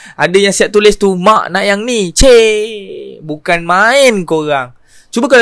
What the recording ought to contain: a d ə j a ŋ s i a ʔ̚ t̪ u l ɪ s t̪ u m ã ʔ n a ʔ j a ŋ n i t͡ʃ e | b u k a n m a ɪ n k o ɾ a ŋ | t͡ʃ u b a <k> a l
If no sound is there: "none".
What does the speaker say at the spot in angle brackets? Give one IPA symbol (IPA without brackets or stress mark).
k